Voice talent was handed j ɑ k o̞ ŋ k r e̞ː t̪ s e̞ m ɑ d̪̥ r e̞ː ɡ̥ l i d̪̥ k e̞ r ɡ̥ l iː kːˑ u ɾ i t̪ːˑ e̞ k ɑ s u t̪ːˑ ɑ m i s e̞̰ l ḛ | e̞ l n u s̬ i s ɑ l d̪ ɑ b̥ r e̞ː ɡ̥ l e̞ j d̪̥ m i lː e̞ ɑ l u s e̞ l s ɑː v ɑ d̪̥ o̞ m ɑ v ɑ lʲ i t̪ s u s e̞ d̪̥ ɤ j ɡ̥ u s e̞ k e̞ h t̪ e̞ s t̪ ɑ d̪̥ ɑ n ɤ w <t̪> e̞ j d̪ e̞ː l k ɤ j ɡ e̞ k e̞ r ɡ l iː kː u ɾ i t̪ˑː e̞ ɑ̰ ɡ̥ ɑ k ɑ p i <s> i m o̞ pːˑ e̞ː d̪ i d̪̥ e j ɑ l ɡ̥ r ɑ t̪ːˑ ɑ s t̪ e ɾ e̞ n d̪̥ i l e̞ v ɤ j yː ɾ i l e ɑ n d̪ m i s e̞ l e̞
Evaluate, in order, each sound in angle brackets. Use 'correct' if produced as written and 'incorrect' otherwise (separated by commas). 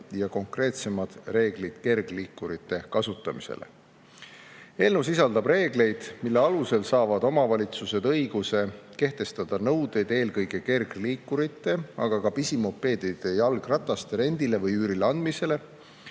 incorrect, correct